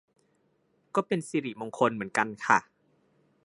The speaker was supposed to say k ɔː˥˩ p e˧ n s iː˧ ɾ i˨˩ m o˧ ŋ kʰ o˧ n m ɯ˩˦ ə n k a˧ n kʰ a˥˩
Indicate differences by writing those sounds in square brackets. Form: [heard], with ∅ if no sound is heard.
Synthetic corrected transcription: k ɔː˥˩ p e˧ n s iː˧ ɾ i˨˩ m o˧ ŋ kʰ o˧ n m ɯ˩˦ ə n k a˧ n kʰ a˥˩